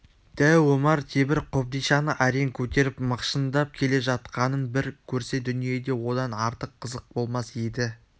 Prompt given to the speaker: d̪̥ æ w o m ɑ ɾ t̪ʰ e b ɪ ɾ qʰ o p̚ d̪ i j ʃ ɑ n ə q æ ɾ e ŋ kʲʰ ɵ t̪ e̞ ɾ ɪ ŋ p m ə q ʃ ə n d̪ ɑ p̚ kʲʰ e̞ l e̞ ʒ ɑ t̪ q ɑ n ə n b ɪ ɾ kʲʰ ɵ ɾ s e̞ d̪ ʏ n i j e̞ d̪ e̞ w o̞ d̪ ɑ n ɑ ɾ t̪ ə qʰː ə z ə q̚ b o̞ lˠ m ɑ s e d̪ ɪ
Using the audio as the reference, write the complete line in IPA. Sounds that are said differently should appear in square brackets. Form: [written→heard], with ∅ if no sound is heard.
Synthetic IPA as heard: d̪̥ æ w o m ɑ ɾ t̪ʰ e b ɪ ɾ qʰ o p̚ d̪ i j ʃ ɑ n ə [q→ʔ] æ ɾ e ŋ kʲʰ ɵ t̪ e̞ ɾ ɪ [ŋ→∅] p m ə q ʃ ə n d̪ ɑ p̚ kʲʰ e̞ l e̞ ʒ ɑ t̪ q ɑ n ə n b ɪ ɾ kʲʰ ɵ ɾ s e̞ d̪ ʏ n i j e̞ d̪ e̞ w o̞ d̪ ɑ n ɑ ɾ t̪ ə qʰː ə z ə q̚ b o̞ lˠ m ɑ s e d̪ ɪ